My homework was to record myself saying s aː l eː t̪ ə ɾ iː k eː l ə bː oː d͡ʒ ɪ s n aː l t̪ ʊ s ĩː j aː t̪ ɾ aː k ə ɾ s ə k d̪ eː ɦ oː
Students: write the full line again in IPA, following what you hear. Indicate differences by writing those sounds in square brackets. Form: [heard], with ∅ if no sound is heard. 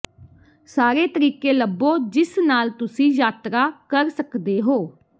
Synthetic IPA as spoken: s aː [ɾ] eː t̪ ə ɾ iː k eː l ə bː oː d͡ʒ ɪ s n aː l t̪ ʊ s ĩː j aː t̪ ɾ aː k ə ɾ s ə k d̪ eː ɦ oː